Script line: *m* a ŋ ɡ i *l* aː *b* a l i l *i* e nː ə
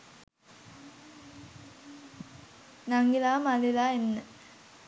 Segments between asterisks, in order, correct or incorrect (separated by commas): incorrect, correct, incorrect, incorrect